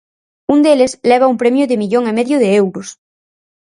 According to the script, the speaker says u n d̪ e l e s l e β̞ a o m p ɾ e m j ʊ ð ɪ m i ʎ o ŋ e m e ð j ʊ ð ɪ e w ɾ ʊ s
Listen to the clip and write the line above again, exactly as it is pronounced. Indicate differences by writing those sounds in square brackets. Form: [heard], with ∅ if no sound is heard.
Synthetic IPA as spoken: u n d̪ e l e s l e β̞ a [u] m p ɾ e m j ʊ ð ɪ m i ʎ o ŋ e m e ð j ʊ ð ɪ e w ɾ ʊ s